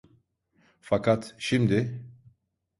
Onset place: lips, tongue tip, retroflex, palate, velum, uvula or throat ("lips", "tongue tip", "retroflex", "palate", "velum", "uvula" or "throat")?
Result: lips